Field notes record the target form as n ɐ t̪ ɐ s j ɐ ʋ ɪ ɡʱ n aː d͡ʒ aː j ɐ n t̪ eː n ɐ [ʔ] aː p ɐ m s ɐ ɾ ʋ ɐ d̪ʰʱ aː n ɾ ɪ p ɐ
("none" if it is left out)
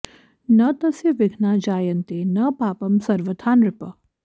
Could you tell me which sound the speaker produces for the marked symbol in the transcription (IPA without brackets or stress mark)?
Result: p